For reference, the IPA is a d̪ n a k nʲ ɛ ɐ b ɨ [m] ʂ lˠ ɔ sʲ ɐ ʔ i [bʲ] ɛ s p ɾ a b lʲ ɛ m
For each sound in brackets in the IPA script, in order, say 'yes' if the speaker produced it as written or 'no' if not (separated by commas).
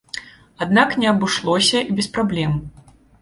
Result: no, yes